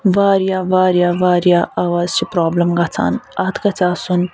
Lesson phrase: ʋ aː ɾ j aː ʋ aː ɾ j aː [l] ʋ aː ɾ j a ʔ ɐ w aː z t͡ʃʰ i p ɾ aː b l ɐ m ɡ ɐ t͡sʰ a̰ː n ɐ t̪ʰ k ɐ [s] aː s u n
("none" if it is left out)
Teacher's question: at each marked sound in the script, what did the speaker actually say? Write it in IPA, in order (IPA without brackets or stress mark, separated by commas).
none, t͡s